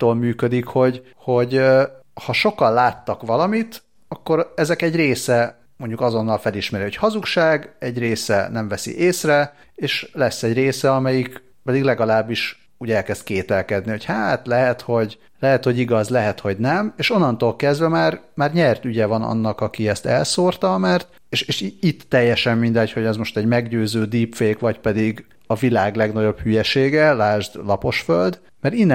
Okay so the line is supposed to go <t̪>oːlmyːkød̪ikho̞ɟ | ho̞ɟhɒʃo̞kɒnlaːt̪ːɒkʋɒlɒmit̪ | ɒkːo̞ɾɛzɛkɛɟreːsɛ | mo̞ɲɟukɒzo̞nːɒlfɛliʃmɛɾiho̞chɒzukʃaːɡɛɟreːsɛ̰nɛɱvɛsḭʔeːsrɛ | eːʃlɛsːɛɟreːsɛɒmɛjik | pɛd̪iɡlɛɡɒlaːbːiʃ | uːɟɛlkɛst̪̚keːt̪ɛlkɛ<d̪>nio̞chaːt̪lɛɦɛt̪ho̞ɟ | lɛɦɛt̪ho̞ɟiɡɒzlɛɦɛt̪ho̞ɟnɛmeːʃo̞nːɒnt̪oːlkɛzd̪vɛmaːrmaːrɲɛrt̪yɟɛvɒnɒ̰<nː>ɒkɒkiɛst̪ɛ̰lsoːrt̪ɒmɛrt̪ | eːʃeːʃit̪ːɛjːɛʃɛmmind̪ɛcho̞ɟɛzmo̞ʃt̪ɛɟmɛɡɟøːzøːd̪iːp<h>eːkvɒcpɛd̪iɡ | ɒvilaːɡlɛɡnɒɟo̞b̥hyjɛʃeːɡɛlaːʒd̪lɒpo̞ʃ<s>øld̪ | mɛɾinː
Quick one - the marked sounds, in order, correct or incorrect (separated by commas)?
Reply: correct, correct, correct, incorrect, incorrect